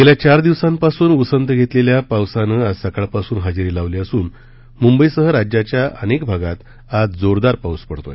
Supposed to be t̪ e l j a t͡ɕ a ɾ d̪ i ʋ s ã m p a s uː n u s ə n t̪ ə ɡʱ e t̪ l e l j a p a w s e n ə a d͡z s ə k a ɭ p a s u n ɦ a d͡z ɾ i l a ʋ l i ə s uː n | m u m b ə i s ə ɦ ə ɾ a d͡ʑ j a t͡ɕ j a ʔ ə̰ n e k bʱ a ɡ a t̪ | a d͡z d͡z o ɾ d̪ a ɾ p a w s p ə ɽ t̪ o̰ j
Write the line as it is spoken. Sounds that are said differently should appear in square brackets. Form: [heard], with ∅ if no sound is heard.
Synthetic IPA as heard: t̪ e l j a t͡ɕ a ɾ d̪ i ʋ s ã m p a s uː n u s ə n t̪ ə ɡʱ e t̪ l e l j a p a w s [a] n ə a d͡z s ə k a ɭ p a s [uː] n ɦ a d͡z ɾ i l a ʋ l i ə s uː n | m u m b ə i s ə ɦ ə ɾ a d͡ʑ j a t͡ɕ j a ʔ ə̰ n e k bʱ a ɡ a t̪ | a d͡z d͡z o ɾ d̪ a ɾ p a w s p ə ɽ t̪ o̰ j